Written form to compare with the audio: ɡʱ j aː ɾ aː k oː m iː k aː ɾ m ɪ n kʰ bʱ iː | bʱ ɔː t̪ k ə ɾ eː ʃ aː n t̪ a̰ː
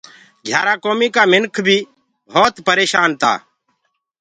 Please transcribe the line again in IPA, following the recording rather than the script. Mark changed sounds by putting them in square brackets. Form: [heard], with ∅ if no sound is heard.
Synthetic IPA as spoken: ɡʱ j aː ɾ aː k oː m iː k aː [∅] m ɪ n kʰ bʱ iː | bʱ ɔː t̪ [p] ə ɾ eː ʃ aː n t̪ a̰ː